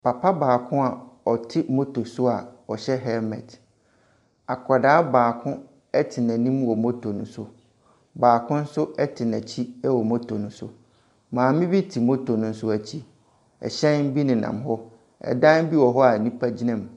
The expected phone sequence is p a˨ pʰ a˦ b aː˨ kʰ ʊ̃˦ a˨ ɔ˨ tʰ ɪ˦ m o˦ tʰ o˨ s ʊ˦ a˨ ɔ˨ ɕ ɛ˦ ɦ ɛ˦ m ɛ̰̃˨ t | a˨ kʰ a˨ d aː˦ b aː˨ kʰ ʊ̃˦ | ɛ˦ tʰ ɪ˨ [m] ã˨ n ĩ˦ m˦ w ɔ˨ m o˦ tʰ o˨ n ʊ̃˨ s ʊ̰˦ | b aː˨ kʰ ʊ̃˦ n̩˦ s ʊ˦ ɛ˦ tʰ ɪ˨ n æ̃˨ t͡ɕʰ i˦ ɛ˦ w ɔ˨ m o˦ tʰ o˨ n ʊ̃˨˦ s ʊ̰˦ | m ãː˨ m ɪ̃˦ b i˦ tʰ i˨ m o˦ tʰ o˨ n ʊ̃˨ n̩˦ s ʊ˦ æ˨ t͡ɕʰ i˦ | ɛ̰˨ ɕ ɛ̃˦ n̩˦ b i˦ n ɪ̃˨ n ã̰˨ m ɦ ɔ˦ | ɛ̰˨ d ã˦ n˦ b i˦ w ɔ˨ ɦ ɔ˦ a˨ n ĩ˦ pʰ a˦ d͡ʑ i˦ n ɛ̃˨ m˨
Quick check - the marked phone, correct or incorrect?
incorrect